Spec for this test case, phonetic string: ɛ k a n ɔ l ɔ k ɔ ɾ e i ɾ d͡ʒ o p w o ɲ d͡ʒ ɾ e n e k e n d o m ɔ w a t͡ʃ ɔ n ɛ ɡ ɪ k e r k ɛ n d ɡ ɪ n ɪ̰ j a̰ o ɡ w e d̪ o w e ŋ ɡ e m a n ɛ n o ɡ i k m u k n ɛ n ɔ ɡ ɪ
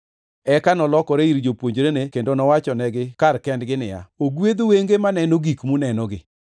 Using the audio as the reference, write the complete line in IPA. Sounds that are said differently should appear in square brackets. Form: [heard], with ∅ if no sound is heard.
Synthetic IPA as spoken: ɛ k a n ɔ l ɔ k ɔ ɾ e i ɾ d͡ʒ o p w o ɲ d͡ʒ ɾ e n e k e n d o [n] ɔ w a t͡ʃ ɔ n ɛ ɡ ɪ k [a] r k ɛ n d ɡ ɪ n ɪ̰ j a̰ o ɡ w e d̪ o w e ŋ ɡ e m a n ɛ n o ɡ i k m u [∅] n ɛ n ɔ ɡ ɪ

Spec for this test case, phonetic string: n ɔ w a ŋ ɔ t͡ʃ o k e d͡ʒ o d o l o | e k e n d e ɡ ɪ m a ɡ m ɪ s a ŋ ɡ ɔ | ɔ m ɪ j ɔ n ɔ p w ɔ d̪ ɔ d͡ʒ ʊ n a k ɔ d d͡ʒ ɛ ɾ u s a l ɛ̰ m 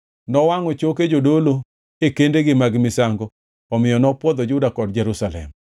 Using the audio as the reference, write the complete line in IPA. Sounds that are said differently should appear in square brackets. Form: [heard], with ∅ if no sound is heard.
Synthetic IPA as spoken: n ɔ w a ŋ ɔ t͡ʃ o k e d͡ʒ o d o l o | e k e n d e ɡ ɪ m a ɡ m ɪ s a ŋ ɡ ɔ | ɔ m ɪ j ɔ n ɔ p w ɔ d̪ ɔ d͡ʒ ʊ [d] a k ɔ d d͡ʒ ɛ ɾ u s a l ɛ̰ m

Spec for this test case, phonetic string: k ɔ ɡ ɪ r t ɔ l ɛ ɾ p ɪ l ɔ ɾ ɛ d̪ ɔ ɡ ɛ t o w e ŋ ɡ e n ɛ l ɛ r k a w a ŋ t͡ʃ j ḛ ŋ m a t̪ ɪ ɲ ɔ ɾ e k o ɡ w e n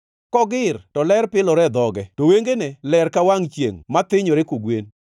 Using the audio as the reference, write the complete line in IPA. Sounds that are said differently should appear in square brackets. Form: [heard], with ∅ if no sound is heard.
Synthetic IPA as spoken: k ɔ ɡ ɪ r t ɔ l ɛ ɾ p ɪ l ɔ ɾ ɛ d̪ ɔ ɡ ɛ t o w e ŋ ɡ e n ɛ l ɛ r k a w a ŋ t͡ʃ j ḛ ŋ m a t̪ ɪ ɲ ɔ ɾ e k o ɡ w e n

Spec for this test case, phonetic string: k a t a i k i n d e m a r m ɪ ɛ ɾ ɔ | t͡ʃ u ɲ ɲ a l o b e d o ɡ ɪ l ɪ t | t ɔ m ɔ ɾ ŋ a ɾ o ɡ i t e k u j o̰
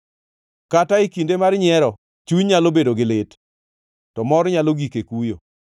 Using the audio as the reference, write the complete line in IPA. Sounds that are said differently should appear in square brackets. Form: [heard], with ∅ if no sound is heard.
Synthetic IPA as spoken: k a t a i k i n d e m a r [ɲ] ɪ ɛ ɾ ɔ | t͡ʃ u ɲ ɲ a l o b e d o ɡ ɪ l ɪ t | t ɔ m ɔ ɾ [ɲ] a [l] o ɡ i [k] e k u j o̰

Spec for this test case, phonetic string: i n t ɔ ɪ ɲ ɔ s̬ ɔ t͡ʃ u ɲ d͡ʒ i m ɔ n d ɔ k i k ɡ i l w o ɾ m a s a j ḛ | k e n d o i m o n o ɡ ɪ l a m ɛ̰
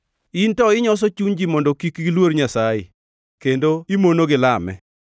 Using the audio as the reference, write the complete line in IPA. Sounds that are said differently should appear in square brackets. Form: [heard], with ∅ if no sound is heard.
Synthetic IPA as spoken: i n t ɔ ɪ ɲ ɔ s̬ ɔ t͡ʃ u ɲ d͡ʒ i m ɔ n d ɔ k i k ɡ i l w o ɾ [ɲ] a s a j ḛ | k e n d o i m o n o ɡ ɪ l a m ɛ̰

